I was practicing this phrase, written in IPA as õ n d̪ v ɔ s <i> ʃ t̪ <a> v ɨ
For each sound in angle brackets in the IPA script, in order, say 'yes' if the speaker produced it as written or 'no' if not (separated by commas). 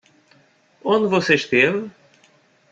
no, no